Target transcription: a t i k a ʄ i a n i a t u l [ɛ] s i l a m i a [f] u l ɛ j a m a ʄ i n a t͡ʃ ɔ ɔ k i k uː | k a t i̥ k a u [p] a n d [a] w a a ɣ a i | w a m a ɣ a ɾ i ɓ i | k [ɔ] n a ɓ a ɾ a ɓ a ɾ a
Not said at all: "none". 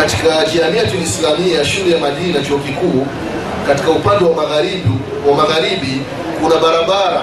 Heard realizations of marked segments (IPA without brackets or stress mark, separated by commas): i, ʃ, p, ɛ, u